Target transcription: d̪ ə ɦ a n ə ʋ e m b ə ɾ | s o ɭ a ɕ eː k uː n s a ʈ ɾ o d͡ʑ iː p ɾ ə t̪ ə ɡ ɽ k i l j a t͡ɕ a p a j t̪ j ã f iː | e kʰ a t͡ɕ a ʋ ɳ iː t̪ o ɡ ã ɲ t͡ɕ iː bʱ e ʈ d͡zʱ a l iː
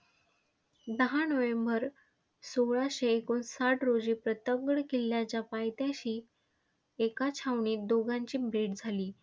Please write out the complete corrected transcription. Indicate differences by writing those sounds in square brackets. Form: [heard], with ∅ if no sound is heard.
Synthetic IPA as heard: d̪ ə ɦ a n ə ʋ e m b ə ɾ | s o ɭ a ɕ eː k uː n s a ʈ ɾ o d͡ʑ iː p ɾ ə t̪ ə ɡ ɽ k i l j a t͡ɕ a p a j t̪ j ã [ɕ] iː | e [k] a [t͡ɕʰ] a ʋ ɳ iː [d̪] o ɡ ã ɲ t͡ɕ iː bʱ e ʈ d͡zʱ a l iː

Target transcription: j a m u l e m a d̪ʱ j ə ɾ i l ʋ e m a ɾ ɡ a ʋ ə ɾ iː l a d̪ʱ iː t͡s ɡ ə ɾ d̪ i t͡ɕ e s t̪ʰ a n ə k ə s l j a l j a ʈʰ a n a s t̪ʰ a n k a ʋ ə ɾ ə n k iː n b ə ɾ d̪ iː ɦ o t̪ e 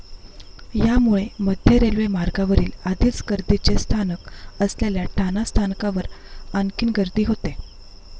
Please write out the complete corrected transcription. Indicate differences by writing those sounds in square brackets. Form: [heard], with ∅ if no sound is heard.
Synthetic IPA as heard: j a m u [ɭ] e m [ə] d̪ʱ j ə ɾ [e] l ʋ e m a ɾ ɡ a ʋ ə ɾ iː l a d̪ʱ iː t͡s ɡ ə ɾ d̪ i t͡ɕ e s t̪ʰ a n ə k ə s l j a l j a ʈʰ a n a s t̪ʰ a n k a ʋ ə ɾ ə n k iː n [ɡ] ə ɾ d̪ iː ɦ o t̪ e

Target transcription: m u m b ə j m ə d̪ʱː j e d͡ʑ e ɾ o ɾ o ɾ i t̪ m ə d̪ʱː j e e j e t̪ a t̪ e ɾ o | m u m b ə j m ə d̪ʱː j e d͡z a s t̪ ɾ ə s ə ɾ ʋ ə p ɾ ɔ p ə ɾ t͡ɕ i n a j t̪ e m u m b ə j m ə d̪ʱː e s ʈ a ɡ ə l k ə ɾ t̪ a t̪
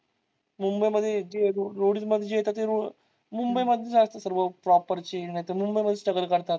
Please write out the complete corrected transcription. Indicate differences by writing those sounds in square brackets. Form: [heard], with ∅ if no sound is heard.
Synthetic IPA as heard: m u m b ə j m ə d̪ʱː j e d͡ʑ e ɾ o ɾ o [ɽ] i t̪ m ə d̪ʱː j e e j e t̪ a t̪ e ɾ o | m u m b ə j m ə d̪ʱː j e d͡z a s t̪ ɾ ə s ə ɾ ʋ ə p ɾ ɔ p ə ɾ t͡ɕ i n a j t̪ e m u m b ə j m ə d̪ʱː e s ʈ [ə] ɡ ə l k ə ɾ t̪ a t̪

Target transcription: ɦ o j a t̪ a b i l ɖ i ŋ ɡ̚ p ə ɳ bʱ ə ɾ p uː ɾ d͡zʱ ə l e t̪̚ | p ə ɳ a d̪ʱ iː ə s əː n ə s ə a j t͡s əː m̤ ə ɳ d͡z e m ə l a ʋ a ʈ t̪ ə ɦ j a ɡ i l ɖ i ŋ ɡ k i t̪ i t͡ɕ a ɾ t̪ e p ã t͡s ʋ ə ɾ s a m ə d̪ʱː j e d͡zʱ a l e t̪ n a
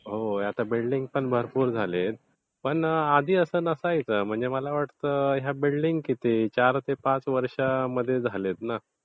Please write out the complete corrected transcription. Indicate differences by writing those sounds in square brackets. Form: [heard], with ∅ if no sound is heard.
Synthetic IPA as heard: ɦ o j a t̪ a b i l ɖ i ŋ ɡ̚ p ə ɳ bʱ ə ɾ p uː ɾ d͡zʱ [a] l e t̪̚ | p ə ɳ a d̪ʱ iː ə s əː n ə s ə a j t͡s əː m̤ ə ɳ d͡z e m ə l a ʋ a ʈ t̪ ə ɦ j a [b] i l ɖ i ŋ ɡ k i t̪ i t͡ɕ a ɾ t̪ e p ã t͡s ʋ ə ɾ [ʂ] a m ə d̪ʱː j e d͡zʱ a l e t̪ n a

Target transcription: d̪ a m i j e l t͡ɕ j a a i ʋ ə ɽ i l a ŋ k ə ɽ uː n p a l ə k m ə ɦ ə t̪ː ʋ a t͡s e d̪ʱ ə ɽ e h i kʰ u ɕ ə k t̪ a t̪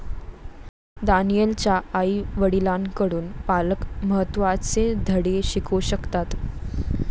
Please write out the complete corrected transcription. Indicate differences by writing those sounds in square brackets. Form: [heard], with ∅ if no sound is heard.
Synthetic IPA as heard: d̪ a [n] i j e l t͡ɕ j a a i ʋ ə ɽ i l a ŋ k ə ɽ uː n p a l ə k m ə ɦ ə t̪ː ʋ a t͡s e d̪ʱ ə ɽ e [ɕ] i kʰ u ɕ ə k t̪ a t̪

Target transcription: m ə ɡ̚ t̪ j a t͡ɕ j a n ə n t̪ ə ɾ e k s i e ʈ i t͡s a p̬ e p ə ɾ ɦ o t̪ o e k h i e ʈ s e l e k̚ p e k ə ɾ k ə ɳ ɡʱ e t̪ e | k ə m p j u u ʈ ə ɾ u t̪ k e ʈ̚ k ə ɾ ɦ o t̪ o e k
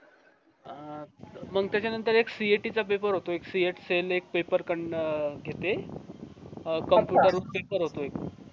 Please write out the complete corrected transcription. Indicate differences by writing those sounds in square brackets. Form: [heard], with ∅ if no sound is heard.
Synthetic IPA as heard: m ə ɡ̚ t̪ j a t͡ɕ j a n ə n t̪ ə ɾ e k s i e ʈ i t͡s a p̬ e p ə ɾ ɦ o t̪ o e k [s] i e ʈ s e l e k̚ p e [p] ə ɾ k ə ɳ ɡʱ e t̪ e | k ə m p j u u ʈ ə ɾ u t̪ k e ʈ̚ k ə ɾ ɦ o t̪ o e k

